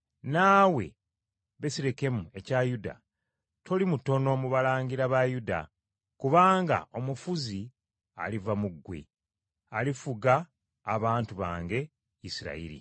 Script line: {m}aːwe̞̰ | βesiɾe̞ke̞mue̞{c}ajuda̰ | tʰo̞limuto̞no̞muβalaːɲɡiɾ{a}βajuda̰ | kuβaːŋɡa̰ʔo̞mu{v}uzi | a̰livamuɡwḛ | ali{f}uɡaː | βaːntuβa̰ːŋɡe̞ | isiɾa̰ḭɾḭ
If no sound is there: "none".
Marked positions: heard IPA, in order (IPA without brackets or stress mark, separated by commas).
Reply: n, c, a, f, f